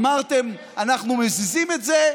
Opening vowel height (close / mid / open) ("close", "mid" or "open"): open